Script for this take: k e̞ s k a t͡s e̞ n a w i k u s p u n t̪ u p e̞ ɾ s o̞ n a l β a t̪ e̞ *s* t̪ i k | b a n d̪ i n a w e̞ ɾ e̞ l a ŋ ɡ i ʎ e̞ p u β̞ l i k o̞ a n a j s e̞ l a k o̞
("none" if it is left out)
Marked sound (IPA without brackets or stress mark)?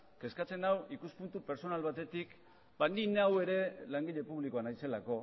none